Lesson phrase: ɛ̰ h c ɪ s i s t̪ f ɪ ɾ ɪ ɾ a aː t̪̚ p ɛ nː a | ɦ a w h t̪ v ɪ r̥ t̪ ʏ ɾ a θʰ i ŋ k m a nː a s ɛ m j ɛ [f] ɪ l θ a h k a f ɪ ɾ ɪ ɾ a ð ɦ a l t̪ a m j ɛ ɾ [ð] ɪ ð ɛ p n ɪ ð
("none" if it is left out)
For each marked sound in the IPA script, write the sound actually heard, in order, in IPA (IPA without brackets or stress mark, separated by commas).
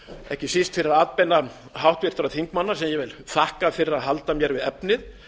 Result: v, v